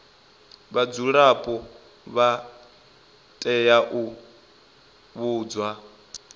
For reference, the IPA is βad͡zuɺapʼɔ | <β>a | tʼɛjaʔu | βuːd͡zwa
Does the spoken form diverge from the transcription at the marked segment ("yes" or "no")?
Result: no